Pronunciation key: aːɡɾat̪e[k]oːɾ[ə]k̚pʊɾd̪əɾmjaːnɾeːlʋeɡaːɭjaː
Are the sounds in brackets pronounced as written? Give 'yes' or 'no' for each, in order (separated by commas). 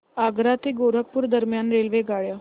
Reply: no, yes